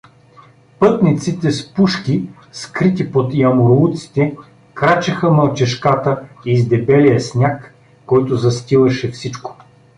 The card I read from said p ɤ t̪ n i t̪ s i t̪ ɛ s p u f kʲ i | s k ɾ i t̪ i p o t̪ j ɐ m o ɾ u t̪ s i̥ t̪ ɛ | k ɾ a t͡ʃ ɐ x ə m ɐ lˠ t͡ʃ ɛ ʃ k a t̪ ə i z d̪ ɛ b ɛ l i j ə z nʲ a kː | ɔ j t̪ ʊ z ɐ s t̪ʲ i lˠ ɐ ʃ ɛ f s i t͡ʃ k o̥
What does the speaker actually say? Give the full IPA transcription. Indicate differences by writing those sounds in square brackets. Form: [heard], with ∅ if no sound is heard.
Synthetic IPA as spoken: p ɤ t̪ n i t̪ s i t̪ ɛ s p u [ʃ] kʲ i | s k ɾ i t̪ i p o t̪ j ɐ m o ɾ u t̪ s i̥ t̪ ɛ | k ɾ a t͡ʃ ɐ x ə m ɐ lˠ t͡ʃ ɛ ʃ k a t̪ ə i z d̪ ɛ b ɛ l i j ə [s] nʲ a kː | ɔ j t̪ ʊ z ɐ s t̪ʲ i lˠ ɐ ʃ ɛ f s i t͡ʃ k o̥